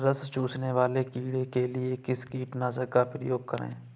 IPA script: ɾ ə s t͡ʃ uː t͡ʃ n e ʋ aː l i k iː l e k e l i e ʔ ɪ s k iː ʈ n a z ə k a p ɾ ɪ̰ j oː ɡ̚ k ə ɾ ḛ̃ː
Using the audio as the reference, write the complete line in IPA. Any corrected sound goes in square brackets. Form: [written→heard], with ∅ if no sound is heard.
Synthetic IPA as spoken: ɾ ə s t͡ʃ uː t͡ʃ n e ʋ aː l [i→e] k iː [l→ɽ] e k e l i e [ʔ→k] ɪ s k iː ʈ n a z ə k a p ɾ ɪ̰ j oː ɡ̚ k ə ɾ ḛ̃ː